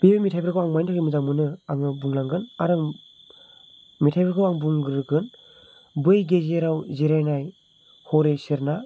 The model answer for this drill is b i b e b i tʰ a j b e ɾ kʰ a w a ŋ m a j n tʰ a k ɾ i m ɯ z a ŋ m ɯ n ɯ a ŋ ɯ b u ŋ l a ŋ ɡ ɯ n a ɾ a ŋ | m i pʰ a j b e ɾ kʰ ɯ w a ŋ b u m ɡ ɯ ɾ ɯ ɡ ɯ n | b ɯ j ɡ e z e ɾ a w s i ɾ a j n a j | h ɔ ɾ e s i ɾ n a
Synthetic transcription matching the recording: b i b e m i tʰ a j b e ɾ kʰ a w a ŋ m a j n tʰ a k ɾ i m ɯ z a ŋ m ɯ n ɯ a ŋ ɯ b u ŋ l a ŋ ɡ ɯ n a ɾ a ŋ | m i tʰ a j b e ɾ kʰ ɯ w a ŋ b u ŋ ɡ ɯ ɾ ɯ ɡ ɯ n | b ɯ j ɡ e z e ɾ a w z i ɾ a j n a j | h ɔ ɾ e s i ɾ n a